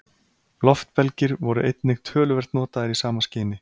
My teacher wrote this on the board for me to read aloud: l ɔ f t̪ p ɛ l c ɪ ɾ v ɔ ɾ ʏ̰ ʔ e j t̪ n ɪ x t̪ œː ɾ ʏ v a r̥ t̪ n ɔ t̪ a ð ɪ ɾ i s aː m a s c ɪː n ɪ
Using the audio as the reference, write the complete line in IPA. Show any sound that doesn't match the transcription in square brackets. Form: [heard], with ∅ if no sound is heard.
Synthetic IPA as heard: l ɔ f t̪ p ɛ l c ɪ ɾ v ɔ ɾ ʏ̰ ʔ e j t̪ n ɪ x [t̪ʰ] œː [l] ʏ v [ɛ] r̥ t̪ n [ɔː] t̪ a ð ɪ ɾ i s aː m a s c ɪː n ɪ